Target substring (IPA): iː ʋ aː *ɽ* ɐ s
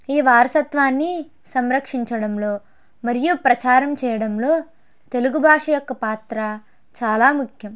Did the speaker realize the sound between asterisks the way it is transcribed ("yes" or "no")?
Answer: no